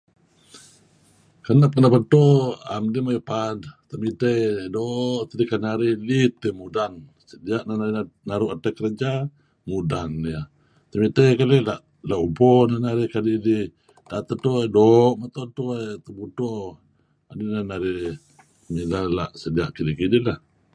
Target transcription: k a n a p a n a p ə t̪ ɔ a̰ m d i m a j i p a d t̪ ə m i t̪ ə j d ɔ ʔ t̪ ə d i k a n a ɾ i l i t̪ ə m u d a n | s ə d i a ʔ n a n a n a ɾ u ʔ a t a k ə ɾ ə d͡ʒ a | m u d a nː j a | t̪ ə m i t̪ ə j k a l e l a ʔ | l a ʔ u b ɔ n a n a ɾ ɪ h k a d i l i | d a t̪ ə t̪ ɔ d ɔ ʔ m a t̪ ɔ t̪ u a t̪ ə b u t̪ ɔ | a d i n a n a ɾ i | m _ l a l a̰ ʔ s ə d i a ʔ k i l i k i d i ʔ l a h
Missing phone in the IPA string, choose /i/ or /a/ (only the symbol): i